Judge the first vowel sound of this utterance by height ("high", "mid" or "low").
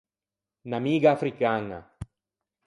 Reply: low